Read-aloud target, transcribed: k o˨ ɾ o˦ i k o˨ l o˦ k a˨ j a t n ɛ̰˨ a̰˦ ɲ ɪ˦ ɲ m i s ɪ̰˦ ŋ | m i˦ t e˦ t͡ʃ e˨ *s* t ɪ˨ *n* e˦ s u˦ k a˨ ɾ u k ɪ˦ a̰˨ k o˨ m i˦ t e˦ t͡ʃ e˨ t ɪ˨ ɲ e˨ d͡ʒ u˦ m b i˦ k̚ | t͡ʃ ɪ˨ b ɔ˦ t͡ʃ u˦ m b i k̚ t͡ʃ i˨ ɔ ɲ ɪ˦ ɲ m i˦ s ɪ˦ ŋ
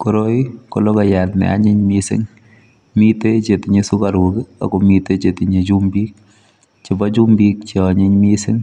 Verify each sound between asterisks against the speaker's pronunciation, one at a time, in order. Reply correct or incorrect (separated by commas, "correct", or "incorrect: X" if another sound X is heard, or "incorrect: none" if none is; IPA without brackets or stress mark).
incorrect: none, incorrect: ɲ